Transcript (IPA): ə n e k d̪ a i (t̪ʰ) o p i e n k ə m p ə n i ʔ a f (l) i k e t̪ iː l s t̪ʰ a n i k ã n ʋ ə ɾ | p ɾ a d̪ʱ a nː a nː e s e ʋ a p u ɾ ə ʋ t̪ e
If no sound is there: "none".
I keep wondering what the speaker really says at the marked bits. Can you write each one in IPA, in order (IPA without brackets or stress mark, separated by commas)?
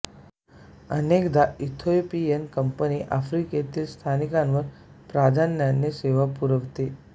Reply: t̪ʰ, ɾ